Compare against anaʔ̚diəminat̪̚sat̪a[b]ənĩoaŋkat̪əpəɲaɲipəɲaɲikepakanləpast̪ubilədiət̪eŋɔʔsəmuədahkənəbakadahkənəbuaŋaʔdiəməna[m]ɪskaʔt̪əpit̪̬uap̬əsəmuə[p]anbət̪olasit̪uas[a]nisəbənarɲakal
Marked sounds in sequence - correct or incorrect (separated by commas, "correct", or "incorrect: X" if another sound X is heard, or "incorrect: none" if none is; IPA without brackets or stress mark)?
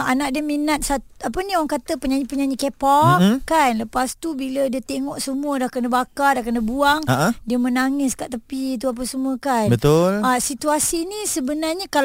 incorrect: p, incorrect: ŋ, incorrect: k, incorrect: i